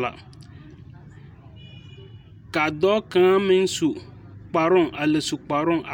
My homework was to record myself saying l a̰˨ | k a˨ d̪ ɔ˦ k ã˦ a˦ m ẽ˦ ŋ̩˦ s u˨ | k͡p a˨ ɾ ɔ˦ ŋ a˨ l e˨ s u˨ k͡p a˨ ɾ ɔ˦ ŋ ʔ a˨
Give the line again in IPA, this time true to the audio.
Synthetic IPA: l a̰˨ | k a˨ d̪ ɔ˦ k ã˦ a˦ m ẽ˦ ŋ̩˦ s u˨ | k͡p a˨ ɾ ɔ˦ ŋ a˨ l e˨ s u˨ k͡p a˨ ɾ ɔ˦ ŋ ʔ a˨